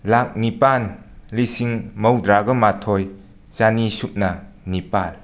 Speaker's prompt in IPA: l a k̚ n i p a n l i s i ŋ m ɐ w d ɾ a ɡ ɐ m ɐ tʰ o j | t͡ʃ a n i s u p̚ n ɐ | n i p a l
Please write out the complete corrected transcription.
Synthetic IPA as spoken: l a k̚ n i p a n l i s i ŋ m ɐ w d ɾ a ɡ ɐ m a tʰ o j | t͡ʃ a n i s u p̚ n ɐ | n i p a l